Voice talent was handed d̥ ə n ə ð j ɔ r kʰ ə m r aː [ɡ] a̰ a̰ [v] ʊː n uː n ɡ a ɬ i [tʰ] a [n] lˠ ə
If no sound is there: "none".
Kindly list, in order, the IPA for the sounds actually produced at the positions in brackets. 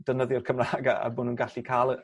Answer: ɡ, b, kʰ, none

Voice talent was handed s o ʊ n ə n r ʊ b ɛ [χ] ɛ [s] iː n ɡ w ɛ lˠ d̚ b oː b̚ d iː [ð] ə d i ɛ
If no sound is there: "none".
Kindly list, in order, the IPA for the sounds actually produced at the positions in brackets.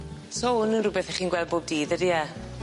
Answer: θ, χ, ð

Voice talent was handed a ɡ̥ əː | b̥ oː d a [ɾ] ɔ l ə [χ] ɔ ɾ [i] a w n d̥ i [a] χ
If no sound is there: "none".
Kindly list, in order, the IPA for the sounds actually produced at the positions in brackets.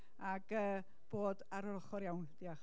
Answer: ɾ, χ, j, a

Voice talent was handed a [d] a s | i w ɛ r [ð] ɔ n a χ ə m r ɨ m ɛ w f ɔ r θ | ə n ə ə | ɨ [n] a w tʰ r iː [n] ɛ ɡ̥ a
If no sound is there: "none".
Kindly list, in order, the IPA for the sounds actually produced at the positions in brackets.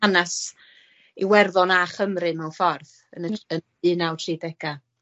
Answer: n, ð, n, d

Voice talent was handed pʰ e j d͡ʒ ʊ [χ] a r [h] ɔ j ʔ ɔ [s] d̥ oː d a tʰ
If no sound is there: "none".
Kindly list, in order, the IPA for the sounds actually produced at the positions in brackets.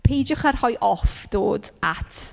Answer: χ, h, f

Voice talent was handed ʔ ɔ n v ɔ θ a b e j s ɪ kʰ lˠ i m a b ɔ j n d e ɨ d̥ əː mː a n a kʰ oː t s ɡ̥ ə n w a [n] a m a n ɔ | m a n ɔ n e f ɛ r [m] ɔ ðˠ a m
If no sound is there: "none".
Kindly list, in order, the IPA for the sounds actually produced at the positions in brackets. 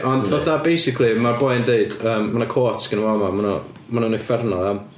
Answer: m, n

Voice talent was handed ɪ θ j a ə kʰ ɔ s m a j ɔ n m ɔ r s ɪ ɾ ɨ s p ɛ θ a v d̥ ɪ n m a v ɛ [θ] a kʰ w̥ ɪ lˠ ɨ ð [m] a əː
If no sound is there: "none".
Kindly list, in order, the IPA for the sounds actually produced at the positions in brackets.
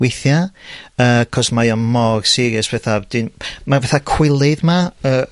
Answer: θ, m

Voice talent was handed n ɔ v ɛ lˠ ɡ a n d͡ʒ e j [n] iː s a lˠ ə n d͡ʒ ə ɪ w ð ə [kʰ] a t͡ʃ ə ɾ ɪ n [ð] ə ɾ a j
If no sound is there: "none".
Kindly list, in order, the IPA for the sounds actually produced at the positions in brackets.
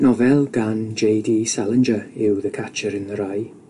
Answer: d, kʰ, ð

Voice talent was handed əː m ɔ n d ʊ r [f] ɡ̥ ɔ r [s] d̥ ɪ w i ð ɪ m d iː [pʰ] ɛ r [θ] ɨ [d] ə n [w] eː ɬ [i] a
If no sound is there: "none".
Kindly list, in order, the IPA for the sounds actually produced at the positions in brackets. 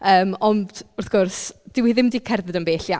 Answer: θ, s, kʰ, ð, d, b, j

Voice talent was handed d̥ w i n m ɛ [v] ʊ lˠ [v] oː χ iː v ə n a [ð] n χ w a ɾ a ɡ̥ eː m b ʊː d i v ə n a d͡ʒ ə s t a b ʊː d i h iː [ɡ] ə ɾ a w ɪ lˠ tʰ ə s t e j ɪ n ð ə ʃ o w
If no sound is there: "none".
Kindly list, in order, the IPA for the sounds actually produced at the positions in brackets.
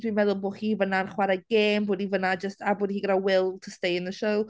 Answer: ð, b, none, ɡ

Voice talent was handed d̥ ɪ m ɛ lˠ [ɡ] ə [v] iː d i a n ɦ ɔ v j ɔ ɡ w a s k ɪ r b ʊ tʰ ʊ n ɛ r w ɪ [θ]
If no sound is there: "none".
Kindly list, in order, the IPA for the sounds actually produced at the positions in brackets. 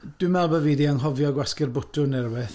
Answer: b, v, θ

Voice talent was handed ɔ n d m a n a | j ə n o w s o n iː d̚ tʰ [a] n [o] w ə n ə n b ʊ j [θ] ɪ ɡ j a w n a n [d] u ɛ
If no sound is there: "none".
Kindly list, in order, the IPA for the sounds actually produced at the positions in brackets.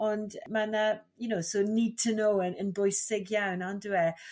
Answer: ə, o, s, d

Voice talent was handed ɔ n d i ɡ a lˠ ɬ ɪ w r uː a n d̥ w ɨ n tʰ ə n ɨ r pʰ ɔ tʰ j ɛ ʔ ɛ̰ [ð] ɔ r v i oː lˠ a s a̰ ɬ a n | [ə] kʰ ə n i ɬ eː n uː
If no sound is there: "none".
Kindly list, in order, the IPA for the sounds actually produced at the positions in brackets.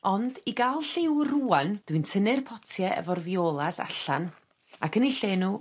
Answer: v, a

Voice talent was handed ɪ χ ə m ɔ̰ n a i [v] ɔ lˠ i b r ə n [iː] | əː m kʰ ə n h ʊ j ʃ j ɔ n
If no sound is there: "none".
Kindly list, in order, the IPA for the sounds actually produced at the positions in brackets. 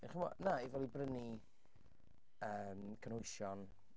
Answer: v, i

